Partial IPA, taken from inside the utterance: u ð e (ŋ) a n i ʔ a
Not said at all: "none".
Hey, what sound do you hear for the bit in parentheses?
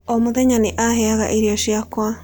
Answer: ɲ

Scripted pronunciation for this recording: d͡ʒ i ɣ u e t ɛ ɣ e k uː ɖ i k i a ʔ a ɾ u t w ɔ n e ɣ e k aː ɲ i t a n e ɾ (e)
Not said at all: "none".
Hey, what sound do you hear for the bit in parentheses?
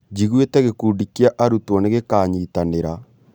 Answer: a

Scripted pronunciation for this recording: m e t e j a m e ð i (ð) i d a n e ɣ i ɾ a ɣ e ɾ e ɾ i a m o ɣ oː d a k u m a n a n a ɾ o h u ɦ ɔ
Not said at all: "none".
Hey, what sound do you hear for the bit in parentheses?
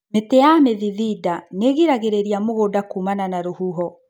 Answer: ð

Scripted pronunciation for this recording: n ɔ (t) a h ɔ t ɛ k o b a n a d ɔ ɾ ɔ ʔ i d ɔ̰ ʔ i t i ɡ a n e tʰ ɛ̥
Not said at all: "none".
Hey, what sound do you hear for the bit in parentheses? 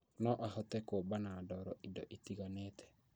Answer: ʔ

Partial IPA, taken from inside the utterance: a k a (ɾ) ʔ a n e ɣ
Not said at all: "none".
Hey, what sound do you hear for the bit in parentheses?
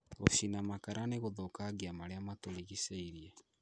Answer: ɾ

